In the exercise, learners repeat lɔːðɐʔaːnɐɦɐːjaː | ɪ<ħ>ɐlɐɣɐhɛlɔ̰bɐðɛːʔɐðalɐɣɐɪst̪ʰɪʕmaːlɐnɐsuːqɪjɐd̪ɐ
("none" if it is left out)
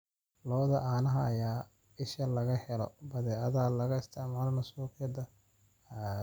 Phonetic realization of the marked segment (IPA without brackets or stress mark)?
ʃ